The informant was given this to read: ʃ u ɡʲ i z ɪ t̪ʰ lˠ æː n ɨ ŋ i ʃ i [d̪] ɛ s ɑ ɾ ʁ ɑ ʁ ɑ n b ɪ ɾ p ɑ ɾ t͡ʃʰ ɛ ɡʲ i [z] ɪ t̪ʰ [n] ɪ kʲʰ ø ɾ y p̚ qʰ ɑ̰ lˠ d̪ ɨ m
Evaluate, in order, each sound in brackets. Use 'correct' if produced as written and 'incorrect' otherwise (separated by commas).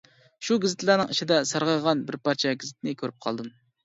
correct, correct, correct